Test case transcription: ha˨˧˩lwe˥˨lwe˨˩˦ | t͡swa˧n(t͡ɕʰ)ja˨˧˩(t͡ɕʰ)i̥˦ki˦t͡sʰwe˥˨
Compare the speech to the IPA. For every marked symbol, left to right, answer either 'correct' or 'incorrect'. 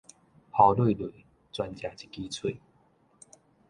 incorrect: t͡ɕ, incorrect: t͡ɕ

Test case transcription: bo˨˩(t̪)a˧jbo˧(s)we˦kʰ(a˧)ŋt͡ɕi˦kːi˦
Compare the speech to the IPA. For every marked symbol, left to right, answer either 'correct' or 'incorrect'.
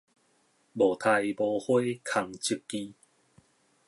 incorrect: t̪ʰ, incorrect: h, correct

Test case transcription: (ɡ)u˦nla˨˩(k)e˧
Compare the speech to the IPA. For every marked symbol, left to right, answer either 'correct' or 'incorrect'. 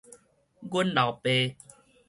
correct, incorrect: p

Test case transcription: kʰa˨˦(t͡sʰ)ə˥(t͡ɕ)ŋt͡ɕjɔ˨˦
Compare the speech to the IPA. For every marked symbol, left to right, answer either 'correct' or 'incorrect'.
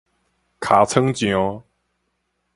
correct, incorrect: none

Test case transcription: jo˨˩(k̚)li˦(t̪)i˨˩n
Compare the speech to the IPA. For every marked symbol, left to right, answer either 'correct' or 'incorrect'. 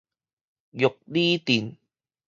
correct, correct

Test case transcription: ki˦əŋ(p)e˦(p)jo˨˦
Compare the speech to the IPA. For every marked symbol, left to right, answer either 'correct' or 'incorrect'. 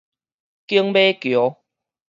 incorrect: b, incorrect: k

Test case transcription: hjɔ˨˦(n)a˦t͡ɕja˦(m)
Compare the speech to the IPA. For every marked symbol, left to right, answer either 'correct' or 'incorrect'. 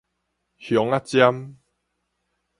incorrect: ŋ, correct

